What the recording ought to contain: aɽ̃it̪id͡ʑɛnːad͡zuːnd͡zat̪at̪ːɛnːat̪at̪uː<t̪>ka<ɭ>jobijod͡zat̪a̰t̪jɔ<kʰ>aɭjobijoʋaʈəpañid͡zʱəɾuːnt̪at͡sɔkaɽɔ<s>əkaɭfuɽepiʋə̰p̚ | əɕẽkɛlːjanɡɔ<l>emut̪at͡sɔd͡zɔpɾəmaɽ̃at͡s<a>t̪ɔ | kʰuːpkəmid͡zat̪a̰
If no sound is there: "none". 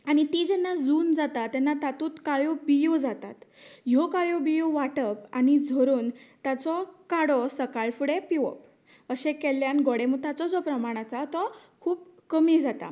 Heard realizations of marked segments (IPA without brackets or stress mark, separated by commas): t̪, ɭ, k, s, ɽ, a